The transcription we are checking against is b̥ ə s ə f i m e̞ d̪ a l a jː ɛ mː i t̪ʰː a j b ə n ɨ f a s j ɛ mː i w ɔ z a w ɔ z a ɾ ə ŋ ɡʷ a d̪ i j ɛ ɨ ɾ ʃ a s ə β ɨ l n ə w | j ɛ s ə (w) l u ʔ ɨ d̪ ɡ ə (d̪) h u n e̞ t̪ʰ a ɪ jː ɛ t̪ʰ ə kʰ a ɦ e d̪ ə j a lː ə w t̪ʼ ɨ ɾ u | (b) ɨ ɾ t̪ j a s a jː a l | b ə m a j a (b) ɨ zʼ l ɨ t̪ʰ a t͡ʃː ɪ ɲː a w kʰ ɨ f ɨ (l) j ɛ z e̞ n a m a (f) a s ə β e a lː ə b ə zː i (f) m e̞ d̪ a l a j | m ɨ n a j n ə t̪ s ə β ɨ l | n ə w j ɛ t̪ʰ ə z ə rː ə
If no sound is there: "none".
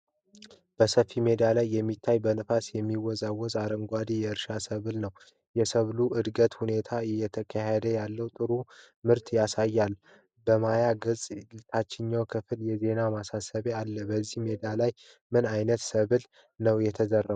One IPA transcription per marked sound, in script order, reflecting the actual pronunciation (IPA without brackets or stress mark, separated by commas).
β, t̪, m, ɡ, l, s, h